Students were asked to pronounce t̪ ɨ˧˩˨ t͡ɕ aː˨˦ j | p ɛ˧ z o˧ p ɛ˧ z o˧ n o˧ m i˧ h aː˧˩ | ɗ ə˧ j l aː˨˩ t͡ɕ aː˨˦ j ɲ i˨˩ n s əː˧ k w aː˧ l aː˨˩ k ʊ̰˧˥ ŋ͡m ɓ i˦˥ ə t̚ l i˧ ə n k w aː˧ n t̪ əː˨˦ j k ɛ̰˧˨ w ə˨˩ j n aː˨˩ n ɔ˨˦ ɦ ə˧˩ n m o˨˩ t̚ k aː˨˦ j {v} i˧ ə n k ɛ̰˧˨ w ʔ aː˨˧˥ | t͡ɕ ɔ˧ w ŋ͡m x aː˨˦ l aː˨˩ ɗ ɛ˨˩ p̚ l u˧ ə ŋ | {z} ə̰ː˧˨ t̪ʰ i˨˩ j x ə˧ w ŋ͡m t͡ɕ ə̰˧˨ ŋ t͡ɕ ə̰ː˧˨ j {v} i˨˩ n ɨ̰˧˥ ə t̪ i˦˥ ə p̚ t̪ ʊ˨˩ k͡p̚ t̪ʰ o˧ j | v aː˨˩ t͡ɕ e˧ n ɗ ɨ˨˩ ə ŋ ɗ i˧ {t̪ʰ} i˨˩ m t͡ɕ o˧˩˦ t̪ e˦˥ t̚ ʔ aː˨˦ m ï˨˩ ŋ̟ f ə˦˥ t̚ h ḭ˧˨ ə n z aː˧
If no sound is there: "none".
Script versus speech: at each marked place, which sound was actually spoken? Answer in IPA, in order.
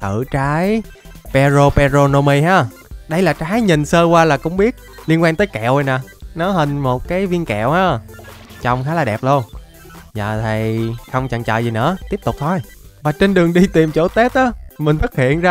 v, z, z, t̪

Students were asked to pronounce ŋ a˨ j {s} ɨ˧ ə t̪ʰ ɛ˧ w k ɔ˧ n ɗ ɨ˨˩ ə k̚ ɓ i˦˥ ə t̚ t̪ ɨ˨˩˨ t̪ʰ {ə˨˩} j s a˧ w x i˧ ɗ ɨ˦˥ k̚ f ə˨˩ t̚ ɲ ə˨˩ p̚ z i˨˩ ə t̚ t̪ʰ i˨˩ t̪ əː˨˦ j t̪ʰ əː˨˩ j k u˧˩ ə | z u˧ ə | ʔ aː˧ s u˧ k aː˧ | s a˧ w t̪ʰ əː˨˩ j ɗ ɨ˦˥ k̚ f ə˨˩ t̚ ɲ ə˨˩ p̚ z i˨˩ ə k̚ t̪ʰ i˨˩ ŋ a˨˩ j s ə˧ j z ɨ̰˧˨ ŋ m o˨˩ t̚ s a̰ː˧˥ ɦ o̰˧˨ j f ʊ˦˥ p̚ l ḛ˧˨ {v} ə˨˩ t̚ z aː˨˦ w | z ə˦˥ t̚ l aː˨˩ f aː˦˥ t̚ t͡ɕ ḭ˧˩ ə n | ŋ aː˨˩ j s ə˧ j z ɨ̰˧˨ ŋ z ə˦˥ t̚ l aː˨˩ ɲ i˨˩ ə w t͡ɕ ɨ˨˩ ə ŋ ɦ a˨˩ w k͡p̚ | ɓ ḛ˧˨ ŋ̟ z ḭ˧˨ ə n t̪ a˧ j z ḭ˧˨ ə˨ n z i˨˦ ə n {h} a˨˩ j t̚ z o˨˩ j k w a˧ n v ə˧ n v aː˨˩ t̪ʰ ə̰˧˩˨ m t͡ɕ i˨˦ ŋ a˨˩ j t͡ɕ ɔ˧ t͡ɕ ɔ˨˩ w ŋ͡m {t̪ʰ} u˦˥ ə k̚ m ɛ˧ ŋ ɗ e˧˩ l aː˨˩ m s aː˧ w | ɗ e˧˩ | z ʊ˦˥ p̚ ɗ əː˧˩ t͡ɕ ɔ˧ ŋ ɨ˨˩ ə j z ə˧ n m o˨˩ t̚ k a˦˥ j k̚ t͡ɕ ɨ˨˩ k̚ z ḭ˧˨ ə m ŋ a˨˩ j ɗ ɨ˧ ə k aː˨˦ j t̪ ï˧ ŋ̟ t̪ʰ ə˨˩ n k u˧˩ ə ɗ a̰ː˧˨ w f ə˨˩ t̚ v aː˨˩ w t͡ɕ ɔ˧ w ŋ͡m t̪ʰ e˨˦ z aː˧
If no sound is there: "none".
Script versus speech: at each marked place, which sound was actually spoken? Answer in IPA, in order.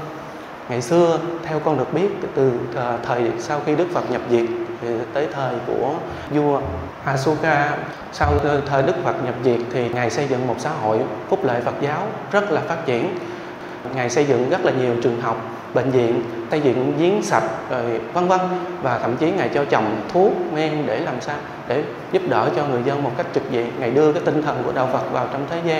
s, əː˨˩, f, s, t̪ʰ

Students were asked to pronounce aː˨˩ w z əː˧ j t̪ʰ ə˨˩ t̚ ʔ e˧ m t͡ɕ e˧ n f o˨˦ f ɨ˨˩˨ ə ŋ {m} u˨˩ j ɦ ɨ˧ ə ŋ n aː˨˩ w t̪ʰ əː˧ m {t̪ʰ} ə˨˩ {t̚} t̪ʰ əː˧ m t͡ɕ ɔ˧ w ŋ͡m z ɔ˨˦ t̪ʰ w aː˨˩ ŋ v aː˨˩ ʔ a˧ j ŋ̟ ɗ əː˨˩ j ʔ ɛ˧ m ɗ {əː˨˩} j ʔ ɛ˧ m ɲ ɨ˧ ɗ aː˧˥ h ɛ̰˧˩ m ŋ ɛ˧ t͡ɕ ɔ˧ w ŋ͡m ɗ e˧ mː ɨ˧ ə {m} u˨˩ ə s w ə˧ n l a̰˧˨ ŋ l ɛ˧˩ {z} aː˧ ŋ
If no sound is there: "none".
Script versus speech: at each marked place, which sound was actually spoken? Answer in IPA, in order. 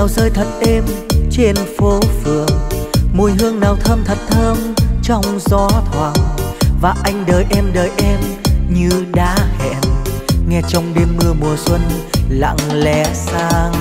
m, t̪ʰ, t̚, əː˨˩, m, s

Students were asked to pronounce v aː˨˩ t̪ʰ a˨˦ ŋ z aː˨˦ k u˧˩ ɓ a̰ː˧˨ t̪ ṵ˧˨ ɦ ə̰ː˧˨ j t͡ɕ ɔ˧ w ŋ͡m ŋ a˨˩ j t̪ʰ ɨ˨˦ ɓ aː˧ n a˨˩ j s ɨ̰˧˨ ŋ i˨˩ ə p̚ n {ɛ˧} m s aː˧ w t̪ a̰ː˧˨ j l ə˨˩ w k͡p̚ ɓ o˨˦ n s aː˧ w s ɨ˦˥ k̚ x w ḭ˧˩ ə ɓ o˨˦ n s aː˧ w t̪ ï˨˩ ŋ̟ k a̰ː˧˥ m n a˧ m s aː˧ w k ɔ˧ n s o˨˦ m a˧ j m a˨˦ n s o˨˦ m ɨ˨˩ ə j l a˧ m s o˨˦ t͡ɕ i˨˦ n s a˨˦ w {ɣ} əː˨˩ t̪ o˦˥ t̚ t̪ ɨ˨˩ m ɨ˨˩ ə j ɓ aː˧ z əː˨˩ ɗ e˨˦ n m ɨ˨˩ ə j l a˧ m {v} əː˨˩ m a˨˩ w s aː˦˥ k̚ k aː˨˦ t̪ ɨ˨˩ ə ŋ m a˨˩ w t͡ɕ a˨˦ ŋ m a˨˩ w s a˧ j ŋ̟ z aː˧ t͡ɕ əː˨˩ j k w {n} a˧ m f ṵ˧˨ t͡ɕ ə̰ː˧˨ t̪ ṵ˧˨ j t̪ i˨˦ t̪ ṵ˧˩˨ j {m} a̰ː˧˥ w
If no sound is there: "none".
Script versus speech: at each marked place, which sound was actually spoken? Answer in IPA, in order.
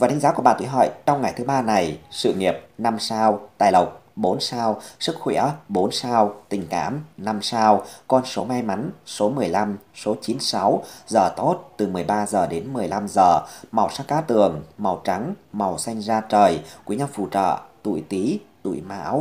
a˧, z, z, ɲ, m

